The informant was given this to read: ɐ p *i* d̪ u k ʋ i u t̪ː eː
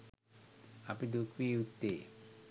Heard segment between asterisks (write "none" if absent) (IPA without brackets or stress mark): i